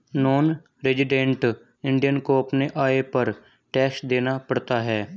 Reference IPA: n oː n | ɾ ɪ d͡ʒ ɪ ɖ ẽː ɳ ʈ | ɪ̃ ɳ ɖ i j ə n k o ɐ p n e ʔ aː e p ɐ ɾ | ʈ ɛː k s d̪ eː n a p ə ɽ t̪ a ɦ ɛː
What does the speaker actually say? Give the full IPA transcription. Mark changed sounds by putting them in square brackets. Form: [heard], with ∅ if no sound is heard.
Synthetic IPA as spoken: n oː n | ɾ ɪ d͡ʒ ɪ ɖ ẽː ɳ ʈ | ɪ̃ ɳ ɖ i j ə n k o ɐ p n e ʔ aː e p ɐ ɾ | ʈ ɛː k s d̪ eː n a p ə ɽ t̪ a ɦ ɛː